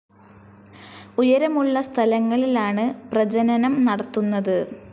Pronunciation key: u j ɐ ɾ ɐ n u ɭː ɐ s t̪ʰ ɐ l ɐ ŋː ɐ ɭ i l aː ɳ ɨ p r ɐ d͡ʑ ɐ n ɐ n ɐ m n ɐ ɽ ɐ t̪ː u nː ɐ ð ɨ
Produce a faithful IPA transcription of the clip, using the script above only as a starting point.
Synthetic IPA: u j ɐ ɾ ɐ m u ɭː ɐ s t̪ʰ ɐ l ɐ ŋː ɐ ɭ i l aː ɳ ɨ p r ɐ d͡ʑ ɐ n ɐ n ɐ m n ɐ ɽ ɐ t̪ː u nː ɐ ð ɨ